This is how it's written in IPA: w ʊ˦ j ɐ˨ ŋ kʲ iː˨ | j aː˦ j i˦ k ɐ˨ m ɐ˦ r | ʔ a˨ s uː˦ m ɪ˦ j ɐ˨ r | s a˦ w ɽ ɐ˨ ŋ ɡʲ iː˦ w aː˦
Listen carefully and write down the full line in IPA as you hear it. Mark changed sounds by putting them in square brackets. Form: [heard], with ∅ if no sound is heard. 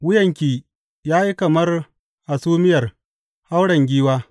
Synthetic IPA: w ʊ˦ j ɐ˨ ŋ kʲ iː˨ | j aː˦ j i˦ k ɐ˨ m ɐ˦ r | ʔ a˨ s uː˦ m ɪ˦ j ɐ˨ r | [h] a˦ w ɽ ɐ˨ ŋ ɡʲ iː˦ w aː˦